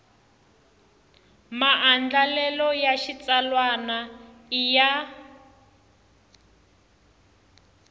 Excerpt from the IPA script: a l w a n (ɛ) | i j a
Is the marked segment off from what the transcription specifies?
yes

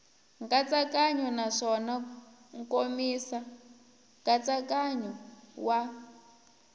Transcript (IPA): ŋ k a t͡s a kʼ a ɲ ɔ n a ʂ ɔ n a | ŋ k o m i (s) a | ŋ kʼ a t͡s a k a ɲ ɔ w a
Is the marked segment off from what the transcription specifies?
no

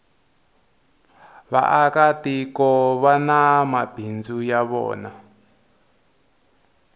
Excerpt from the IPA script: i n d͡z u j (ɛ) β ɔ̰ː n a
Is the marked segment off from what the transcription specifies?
yes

